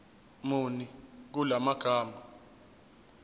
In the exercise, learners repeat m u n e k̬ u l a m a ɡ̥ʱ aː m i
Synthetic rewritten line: m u n i k̬ u l a m a ɡ̥ʱ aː m a